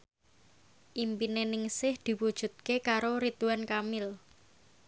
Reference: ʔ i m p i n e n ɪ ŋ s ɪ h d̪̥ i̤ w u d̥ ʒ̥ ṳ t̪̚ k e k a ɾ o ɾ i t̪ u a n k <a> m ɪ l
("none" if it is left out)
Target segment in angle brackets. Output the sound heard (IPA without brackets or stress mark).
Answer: a